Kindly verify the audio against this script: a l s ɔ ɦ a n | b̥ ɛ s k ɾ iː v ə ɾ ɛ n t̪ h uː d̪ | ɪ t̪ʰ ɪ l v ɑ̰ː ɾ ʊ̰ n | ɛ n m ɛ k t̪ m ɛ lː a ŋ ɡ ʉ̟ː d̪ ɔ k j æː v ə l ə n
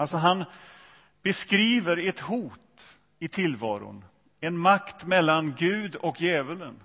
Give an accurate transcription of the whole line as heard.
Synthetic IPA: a l s ɔ ɦ a n | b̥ ɛ s k ɾ iː v ə ɾ ɛ t̪ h uː t̪ | ɪ t̪ʰ ɪ l v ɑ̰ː ɾ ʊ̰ n | ɛ n m a k t̪ m ɛ lː a n ɡ ʉ̟ː d̪ ɔ k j ɛː v ə l ə n